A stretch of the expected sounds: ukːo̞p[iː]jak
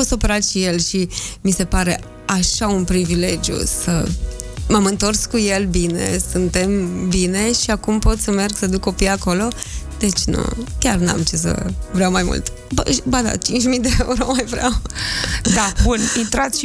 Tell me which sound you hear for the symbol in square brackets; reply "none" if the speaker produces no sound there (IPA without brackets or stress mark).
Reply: i